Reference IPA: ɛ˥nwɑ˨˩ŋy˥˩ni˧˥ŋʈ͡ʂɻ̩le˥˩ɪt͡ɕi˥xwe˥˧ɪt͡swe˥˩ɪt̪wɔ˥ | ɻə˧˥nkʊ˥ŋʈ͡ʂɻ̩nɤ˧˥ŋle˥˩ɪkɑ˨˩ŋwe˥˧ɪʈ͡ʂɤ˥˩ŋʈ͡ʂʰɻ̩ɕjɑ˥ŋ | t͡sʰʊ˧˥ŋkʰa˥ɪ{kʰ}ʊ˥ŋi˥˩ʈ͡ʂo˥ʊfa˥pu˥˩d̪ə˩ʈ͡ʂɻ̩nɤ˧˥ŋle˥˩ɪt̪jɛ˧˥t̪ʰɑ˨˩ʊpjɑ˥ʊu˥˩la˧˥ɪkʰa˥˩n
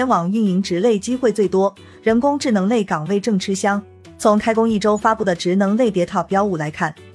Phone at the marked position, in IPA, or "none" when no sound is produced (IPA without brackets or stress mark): k